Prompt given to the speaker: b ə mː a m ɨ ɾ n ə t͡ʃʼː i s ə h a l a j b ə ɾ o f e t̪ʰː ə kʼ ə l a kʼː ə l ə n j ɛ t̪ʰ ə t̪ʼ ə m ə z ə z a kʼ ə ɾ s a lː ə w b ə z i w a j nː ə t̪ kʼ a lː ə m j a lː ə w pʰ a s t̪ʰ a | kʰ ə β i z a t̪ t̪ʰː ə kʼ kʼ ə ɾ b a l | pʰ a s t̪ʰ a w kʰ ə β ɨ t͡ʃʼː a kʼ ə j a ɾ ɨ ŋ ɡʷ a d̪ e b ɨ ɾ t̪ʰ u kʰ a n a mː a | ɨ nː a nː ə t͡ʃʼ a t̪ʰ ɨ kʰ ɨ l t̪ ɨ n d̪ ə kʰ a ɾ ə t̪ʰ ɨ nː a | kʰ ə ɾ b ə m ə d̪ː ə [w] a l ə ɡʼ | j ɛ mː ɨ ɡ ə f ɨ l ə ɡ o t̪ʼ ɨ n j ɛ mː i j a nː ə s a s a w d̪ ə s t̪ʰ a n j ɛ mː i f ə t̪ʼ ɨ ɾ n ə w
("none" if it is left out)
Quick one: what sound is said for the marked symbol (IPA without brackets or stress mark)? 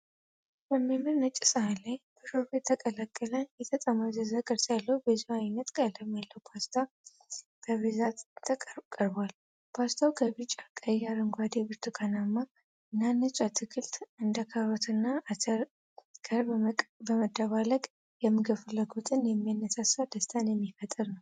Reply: β